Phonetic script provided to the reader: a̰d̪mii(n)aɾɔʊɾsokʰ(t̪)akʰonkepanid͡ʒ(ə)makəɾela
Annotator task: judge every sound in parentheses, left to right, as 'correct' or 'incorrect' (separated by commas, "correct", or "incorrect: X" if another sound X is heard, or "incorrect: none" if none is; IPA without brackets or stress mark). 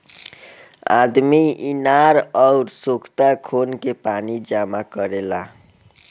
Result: correct, correct, incorrect: a